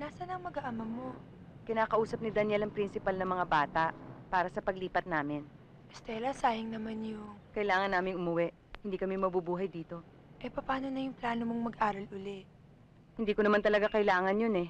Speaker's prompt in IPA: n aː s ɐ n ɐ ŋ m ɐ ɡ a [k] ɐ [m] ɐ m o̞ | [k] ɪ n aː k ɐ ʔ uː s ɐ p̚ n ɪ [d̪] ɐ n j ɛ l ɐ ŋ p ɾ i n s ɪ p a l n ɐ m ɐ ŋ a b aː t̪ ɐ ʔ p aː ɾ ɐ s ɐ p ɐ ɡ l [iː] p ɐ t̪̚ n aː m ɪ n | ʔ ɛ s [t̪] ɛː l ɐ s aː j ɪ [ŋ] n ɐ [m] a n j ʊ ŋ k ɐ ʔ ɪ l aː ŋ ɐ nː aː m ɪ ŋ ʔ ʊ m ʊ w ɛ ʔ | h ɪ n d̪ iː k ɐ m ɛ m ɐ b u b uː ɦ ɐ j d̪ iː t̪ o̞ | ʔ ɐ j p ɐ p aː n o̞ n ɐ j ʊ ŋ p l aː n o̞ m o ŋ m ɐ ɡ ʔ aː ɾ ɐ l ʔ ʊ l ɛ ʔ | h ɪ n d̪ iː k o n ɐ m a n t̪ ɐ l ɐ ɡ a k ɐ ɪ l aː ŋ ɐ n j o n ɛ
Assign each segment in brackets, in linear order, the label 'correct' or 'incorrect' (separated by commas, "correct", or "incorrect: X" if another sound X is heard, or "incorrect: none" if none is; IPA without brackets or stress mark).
incorrect: ʔ, correct, correct, correct, correct, correct, correct, correct